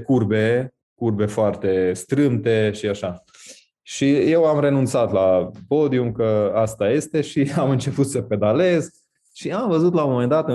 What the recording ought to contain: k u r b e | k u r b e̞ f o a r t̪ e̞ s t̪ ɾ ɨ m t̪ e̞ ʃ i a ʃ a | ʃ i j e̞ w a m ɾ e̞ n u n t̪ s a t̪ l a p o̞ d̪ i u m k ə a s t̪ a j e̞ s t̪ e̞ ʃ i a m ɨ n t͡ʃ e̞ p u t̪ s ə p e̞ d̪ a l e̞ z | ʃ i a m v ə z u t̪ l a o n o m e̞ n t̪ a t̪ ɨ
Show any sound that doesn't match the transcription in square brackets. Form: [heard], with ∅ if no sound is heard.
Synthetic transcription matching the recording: k u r b e | k u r b e̞ f o a r t̪ e̞ s t̪ ɾ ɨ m t̪ e̞ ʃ i a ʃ a | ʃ i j e̞ w a m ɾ e̞ n u n t̪ s a t̪ l a p o̞ d̪ i u m k ə a s t̪ a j e̞ s t̪ e̞ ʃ i a m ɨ n t͡ʃ e̞ p u t̪ s ə p e̞ d̪ a l e̞ z | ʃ i a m v ə z u t̪ l a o [m] o m e̞ n [d̪] a t̪ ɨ